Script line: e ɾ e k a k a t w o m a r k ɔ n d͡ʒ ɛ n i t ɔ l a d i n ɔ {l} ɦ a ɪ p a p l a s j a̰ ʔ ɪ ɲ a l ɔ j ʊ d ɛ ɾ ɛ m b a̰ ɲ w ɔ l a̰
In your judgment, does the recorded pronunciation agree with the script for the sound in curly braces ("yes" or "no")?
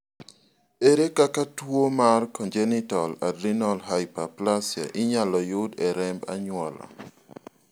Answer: yes